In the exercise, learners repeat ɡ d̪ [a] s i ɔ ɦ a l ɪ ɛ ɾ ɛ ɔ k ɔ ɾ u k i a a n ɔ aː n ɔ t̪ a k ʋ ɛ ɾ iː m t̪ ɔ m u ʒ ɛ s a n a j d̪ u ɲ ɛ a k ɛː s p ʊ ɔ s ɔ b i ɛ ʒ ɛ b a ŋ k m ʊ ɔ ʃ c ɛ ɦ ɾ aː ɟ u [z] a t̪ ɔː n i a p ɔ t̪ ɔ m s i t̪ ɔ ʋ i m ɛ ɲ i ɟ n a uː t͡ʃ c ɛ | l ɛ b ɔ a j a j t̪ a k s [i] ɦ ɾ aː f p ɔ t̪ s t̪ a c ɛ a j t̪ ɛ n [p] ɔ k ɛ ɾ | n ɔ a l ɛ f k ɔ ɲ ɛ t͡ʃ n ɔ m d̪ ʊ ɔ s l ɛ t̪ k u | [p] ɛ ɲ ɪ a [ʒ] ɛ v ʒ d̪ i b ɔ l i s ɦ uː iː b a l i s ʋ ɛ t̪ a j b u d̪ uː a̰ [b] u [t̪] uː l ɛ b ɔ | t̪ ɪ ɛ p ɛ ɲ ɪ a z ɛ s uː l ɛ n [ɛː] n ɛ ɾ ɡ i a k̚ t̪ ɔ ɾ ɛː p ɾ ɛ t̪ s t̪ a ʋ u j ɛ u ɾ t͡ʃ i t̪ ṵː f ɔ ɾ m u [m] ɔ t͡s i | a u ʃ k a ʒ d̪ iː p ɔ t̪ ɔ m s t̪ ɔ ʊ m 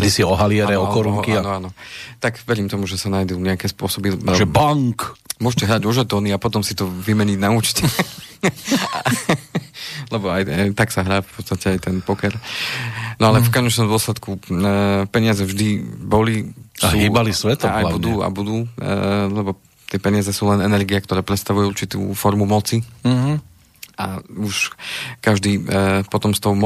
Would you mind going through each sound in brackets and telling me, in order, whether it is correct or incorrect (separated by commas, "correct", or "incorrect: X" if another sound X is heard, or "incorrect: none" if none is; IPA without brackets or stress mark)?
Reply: incorrect: i, incorrect: ʒ, incorrect: a, correct, correct, incorrect: z, correct, incorrect: d̪, incorrect: ɛ, correct